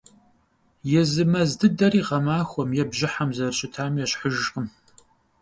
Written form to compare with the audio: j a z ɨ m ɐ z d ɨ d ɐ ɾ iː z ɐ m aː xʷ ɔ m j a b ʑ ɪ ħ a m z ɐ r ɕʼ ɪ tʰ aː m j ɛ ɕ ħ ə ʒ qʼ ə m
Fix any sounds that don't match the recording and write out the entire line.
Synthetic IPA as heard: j ɛ z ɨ m ɐ z d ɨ d ɐ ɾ iː ʁ ɐ m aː xʷ ɔ m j ɛ b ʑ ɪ ħ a m z ɐ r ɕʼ ɪ tʰ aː m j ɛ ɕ ħ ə ʒ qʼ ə m